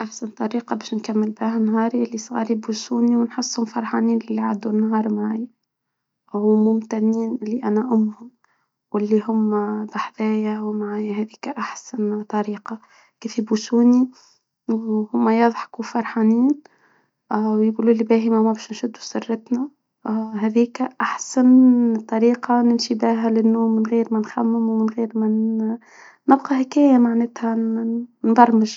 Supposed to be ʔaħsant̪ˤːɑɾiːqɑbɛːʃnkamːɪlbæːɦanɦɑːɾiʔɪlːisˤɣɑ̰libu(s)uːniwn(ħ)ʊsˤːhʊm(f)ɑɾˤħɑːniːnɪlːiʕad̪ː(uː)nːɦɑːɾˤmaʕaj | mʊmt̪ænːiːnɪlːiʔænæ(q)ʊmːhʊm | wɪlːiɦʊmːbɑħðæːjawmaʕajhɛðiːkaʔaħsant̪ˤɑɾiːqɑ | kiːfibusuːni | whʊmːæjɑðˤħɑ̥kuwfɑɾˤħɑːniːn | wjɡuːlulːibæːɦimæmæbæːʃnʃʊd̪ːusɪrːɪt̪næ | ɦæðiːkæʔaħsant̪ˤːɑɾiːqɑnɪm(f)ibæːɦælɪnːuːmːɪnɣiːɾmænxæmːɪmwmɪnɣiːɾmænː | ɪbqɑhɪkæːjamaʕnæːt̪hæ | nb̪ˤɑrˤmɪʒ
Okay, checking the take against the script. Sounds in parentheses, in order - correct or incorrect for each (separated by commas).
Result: correct, correct, correct, incorrect, incorrect, incorrect